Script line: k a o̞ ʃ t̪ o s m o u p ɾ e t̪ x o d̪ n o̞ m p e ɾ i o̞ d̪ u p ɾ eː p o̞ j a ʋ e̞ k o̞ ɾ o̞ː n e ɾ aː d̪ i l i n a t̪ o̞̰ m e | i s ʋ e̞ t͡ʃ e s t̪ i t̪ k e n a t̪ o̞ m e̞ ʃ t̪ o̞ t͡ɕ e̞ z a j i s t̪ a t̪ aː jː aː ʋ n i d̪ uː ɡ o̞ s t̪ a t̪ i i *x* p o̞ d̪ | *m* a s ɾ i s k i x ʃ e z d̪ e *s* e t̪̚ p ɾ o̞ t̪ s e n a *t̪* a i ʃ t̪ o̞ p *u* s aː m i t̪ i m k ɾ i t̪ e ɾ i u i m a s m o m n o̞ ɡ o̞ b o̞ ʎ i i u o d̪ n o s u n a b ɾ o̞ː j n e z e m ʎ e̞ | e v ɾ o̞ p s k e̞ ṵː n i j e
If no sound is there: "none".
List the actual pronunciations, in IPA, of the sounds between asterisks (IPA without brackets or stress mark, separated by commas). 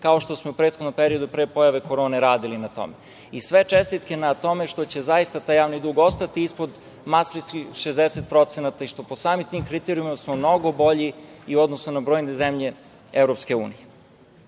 s, m, s, t̪, o